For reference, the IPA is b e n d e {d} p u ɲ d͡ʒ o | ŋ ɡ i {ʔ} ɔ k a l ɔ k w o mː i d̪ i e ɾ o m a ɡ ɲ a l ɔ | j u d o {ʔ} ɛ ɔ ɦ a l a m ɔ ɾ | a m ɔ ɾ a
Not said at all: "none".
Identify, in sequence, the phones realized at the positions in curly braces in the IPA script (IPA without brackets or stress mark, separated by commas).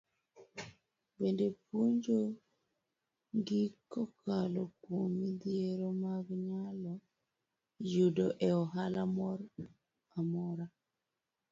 none, k, ʔ